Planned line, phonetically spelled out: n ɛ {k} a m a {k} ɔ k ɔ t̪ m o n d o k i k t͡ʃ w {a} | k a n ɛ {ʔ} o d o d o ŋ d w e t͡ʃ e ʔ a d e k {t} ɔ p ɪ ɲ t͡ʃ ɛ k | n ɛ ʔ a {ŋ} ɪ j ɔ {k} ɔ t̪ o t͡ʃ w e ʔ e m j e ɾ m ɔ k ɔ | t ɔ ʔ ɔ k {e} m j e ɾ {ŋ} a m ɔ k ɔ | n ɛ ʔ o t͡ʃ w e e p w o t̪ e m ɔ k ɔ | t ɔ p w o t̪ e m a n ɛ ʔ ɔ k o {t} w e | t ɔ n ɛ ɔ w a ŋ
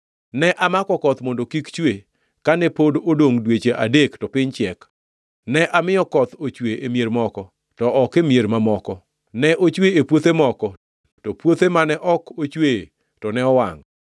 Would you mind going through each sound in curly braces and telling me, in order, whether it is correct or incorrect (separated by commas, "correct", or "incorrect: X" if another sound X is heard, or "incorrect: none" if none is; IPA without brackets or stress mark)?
incorrect: ʔ, correct, incorrect: e, incorrect: p, correct, incorrect: m, correct, correct, incorrect: m, incorrect: t͡ʃ